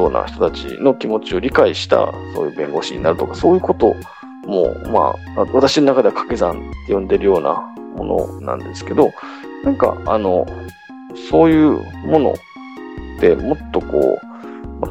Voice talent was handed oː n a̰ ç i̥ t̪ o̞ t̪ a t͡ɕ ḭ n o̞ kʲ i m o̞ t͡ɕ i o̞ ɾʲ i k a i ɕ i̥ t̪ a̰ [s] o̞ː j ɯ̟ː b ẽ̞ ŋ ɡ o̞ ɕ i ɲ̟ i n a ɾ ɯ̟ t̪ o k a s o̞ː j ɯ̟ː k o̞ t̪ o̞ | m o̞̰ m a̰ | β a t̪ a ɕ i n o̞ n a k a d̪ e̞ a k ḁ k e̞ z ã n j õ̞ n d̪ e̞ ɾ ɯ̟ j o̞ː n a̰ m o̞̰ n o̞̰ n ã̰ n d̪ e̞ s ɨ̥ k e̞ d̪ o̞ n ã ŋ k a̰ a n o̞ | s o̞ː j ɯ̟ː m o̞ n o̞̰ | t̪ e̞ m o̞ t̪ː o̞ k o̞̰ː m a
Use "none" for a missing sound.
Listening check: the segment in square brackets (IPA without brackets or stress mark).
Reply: s